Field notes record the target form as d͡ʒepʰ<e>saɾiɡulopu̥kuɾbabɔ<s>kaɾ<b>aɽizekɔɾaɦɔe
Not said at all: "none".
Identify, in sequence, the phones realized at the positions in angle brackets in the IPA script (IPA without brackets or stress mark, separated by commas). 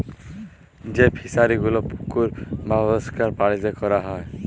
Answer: i, s, p